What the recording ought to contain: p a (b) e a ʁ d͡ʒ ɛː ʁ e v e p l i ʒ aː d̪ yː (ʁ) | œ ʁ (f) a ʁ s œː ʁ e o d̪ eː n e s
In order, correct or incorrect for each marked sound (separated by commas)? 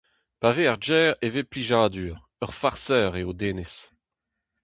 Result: incorrect, correct, correct